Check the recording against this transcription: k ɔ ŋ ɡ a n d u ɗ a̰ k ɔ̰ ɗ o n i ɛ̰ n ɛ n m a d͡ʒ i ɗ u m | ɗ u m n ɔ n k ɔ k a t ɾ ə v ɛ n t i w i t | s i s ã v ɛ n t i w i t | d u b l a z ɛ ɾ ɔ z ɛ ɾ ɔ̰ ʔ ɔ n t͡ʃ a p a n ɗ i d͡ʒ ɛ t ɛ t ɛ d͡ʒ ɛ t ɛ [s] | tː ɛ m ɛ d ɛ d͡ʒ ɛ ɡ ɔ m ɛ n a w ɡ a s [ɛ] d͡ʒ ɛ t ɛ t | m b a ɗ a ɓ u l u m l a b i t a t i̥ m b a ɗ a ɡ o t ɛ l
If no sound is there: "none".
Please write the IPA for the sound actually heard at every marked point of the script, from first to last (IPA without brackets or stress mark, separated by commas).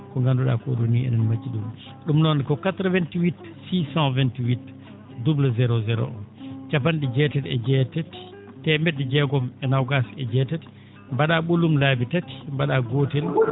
t, ɛ